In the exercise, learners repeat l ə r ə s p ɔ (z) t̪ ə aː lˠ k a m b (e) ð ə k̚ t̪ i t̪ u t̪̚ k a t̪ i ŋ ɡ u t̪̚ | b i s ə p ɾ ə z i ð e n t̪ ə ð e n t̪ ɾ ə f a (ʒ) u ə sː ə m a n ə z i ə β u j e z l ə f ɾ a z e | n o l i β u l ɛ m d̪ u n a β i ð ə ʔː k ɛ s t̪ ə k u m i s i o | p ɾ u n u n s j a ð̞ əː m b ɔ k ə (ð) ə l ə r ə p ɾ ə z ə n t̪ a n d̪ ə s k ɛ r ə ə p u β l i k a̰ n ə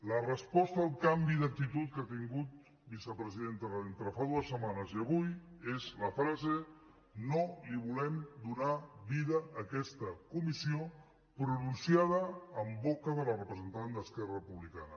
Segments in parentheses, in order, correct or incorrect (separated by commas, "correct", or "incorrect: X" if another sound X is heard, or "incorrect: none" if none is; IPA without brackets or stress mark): incorrect: s, incorrect: i, incorrect: ð, correct